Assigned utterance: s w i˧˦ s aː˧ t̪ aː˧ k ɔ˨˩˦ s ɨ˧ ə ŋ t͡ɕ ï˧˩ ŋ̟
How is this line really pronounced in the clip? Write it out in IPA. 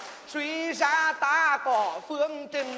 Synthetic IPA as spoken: s w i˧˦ z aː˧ t̪ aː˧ k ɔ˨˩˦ f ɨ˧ ə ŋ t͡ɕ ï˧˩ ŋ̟